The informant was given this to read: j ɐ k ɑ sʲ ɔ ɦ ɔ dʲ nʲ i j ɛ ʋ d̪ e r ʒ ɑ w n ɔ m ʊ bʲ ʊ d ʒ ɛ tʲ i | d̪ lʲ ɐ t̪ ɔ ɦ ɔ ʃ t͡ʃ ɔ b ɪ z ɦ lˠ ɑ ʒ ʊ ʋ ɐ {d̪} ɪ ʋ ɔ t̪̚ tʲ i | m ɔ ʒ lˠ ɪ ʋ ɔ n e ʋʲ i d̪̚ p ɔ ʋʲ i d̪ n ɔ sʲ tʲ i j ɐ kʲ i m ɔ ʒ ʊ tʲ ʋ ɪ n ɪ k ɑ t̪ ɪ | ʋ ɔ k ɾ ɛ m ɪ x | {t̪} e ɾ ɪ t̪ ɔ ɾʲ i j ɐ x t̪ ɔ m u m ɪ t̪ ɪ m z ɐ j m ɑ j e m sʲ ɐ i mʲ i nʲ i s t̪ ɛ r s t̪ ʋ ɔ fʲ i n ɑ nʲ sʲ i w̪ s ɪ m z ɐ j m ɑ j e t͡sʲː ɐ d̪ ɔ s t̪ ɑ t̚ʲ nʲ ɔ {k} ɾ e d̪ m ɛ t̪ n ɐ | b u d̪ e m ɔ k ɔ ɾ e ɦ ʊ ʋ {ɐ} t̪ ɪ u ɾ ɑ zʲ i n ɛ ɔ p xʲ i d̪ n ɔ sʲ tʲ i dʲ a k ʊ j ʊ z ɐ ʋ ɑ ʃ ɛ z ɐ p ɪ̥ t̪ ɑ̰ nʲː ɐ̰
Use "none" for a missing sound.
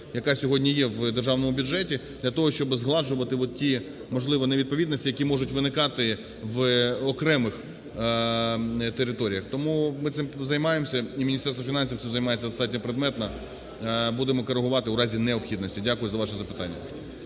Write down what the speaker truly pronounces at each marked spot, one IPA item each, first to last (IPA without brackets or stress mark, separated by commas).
t̪, t̪, p, ɑ